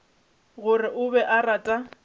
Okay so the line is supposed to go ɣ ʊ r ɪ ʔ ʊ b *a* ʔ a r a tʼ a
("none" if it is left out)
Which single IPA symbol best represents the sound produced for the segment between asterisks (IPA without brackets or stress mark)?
ɛ